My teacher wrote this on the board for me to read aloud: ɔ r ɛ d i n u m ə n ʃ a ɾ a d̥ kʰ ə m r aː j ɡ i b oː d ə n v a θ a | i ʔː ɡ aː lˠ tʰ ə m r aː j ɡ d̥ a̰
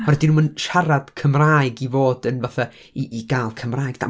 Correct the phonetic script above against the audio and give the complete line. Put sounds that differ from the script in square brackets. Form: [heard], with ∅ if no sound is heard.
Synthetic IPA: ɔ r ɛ d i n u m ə n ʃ a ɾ a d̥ kʰ ə m r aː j ɡ i [v] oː d ə n v a θ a | i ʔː ɡ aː lˠ [kʰ] ə m r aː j ɡ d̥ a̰